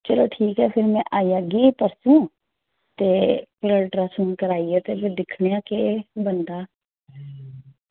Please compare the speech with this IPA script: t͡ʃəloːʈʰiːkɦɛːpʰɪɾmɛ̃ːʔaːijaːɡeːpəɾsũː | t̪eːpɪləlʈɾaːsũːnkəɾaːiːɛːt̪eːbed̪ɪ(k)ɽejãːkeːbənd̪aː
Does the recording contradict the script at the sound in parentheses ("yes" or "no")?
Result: yes